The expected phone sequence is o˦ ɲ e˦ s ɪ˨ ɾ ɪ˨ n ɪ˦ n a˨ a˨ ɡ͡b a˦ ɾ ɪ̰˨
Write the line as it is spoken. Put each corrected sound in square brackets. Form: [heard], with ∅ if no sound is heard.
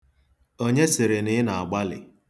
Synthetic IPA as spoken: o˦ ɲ e˦ s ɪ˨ ɾ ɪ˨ n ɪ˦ n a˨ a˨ ɡ͡b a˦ [l] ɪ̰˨